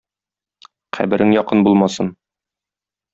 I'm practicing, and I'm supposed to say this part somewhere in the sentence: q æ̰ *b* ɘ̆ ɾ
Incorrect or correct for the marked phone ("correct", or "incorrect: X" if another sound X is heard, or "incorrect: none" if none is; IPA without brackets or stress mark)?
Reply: correct